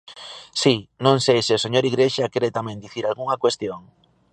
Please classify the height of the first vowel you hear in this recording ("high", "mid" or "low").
high